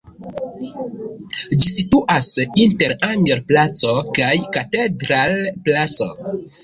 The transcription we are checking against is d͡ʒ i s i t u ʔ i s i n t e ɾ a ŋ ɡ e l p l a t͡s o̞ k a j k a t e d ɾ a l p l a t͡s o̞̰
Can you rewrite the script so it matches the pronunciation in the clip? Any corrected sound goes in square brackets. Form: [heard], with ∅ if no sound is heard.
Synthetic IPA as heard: d͡ʒ i s i t u ʔ [a] s i n t e ɾ a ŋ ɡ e [ɾ] p l a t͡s o̞ k a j k a t e d ɾ a l p l a t͡s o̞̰